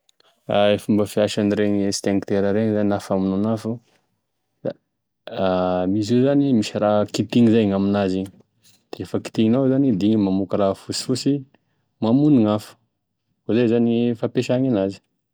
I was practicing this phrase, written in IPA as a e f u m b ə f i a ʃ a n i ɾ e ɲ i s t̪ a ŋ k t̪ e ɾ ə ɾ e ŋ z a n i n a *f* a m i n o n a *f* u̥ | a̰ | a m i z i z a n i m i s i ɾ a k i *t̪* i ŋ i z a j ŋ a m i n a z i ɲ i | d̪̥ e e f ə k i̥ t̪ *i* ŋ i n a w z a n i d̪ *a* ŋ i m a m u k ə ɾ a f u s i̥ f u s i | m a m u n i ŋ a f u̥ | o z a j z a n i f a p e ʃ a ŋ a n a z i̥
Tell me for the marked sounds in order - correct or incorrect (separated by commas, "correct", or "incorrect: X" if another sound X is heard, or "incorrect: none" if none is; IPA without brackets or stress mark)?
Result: correct, correct, correct, correct, incorrect: i